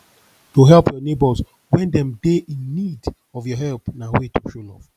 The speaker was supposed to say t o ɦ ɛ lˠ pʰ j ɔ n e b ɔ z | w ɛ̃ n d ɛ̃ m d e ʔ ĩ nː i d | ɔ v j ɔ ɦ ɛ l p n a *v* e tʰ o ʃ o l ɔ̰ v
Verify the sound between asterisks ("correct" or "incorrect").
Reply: incorrect